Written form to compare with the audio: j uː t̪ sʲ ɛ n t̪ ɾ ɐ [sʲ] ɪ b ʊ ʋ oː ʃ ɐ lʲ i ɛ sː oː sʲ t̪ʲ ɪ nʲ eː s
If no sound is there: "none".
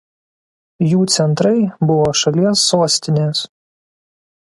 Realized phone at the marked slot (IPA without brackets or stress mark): none